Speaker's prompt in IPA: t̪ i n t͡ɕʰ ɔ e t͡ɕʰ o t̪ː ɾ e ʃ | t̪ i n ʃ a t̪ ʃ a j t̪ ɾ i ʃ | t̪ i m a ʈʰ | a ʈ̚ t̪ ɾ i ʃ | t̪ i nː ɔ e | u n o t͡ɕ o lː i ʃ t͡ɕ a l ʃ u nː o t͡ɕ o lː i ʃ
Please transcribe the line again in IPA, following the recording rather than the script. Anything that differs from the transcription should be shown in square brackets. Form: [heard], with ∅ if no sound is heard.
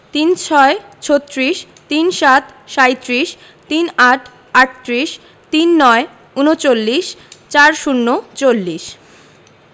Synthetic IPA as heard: t̪ i n t͡ɕʰ ɔ e t͡ɕʰ o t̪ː ɾ [i] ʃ | t̪ i n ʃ a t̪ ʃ a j t̪ ɾ i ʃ | t̪ i [n] a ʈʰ | a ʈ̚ t̪ ɾ i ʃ | t̪ i nː ɔ e | u n o t͡ɕ o lː i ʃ t͡ɕ a [ɾ] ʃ u nː o t͡ɕ o lː i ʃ

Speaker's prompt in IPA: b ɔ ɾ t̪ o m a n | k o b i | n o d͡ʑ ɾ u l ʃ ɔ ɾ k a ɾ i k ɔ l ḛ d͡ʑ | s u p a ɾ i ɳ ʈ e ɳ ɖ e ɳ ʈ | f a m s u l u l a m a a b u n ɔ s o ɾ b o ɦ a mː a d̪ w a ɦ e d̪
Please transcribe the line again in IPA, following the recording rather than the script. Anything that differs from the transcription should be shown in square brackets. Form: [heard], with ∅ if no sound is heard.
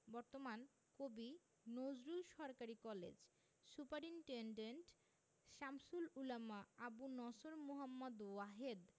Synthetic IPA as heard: b ɔ ɾ t̪ o m a n | k o b i | n o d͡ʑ ɾ u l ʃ ɔ ɾ k a ɾ i k ɔ l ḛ d͡ʑ | s u p a ɾ i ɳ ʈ e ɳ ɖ e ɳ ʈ | [ʃ] a m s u l u l a m a a b u n ɔ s o ɾ [m] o ɦ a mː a d̪ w a ɦ e d̪

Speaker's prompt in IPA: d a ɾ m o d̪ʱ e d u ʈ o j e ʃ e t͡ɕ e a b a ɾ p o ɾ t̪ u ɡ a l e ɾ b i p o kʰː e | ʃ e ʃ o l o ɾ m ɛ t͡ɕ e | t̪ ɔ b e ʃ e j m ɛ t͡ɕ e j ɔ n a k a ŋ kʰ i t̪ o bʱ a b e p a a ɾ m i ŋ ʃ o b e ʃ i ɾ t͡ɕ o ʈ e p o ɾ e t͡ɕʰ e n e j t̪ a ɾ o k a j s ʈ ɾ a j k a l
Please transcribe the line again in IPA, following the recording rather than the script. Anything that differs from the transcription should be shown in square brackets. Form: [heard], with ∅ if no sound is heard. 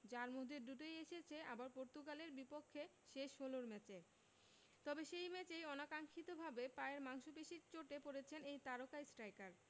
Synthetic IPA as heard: [d͡ʑ] a ɾ m o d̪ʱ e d u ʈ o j e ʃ e [t͡ɕʰ] e a b a ɾ p o ɾ t̪ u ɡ a l e ɾ b i p o kʰː e | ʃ e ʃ o l o ɾ m ɛ t͡ɕ e | t̪ ɔ b e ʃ e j m ɛ t͡ɕ e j ɔ n a k a ŋ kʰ i t̪ o bʱ a b e p a [e] ɾ m [a] ŋ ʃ o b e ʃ i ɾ t͡ɕ o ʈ e p o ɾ e t͡ɕʰ e n e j t̪ a ɾ o k a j s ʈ ɾ a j k a [ɾ]

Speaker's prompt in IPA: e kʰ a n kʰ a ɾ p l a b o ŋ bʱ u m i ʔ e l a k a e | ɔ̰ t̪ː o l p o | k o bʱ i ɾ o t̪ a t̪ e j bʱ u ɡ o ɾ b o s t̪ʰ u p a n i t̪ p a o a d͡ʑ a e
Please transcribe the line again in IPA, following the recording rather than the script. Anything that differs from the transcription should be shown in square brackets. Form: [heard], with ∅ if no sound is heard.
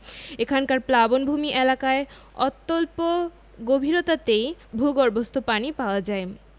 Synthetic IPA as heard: e kʰ a n [k] a ɾ p l a b o [n] bʱ u m i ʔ e l a k a e | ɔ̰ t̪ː o l p o | [ɡ] o bʱ i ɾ o t̪ a t̪ e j bʱ u ɡ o ɾ b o s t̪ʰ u p a n i [∅] p a o a d͡ʑ a e

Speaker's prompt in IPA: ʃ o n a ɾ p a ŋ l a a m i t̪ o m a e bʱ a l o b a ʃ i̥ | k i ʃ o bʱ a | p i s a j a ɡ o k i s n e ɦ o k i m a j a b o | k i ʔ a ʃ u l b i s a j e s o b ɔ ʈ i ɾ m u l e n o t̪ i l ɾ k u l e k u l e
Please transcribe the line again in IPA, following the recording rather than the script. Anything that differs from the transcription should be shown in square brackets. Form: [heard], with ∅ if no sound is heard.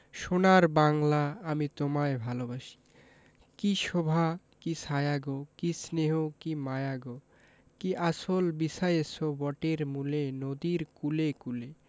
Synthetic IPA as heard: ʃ o n a ɾ [b] a ŋ l a a m i t̪ o m a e bʱ a l o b a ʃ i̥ | k i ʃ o bʱ a | [k] i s a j a ɡ o k i s n e ɦ o k i m a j a [ɡ] o | k i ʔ a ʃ [o] l b i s a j e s o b ɔ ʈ [e] ɾ m u l e n o [d̪] i [∅] ɾ k u l e k u l e

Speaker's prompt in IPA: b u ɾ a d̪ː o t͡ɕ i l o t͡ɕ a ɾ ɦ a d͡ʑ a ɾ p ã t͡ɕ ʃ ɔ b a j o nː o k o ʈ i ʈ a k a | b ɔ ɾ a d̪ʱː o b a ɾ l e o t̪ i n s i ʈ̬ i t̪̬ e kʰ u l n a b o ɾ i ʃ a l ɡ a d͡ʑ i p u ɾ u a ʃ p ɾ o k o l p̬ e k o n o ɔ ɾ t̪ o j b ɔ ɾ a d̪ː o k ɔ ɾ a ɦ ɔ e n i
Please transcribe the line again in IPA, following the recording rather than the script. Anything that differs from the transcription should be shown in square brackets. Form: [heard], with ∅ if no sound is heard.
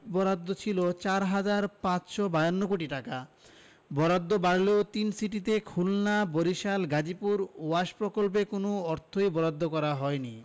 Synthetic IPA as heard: b [ɔ] ɾ a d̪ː o [t͡ɕʰ] i l o t͡ɕ a ɾ ɦ a d͡ʑ a ɾ p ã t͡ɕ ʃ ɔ b a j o nː o k o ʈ i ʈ a k a | b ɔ ɾ a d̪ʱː o b a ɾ l e o t̪ i n s i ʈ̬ i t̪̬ e kʰ u l n a b o ɾ i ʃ a l ɡ a d͡ʑ i p u ɾ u a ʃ p ɾ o k o l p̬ e k o n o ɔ ɾ [t̪ʰ] o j b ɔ ɾ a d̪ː o k ɔ ɾ a ɦ ɔ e n i

